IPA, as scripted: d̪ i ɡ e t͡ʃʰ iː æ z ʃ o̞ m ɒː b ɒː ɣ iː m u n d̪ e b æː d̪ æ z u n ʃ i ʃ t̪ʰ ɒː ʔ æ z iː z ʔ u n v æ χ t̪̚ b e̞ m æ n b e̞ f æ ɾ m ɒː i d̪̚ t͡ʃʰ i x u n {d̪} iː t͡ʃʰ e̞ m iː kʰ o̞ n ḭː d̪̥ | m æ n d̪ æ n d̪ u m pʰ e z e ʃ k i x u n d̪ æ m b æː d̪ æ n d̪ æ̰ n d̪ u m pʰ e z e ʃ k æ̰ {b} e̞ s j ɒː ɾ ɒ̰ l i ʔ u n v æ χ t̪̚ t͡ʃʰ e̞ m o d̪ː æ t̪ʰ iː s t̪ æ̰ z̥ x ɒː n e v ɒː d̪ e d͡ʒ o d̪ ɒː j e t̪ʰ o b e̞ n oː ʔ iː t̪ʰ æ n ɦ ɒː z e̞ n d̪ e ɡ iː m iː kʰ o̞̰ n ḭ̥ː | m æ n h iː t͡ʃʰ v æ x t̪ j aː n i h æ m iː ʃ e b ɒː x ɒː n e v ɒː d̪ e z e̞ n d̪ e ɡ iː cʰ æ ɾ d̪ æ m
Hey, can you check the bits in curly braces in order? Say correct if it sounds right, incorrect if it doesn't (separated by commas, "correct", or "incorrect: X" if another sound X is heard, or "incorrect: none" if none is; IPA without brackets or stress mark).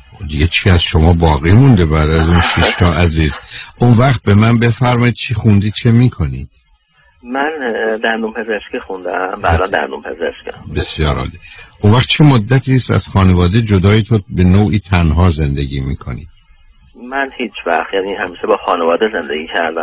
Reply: correct, correct